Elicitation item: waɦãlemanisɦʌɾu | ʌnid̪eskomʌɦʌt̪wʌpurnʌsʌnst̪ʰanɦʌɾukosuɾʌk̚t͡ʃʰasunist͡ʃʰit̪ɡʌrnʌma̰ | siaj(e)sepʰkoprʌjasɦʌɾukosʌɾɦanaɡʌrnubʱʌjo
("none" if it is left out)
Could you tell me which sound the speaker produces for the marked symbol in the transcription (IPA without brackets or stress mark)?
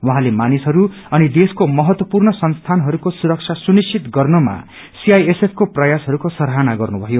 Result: e